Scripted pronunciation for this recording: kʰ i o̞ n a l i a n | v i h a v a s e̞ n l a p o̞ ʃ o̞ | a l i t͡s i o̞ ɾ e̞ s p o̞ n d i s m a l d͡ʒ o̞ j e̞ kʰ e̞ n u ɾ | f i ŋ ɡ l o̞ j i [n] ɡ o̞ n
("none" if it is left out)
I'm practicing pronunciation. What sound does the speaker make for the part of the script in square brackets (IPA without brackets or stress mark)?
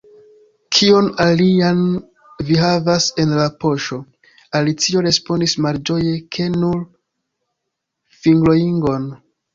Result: ŋ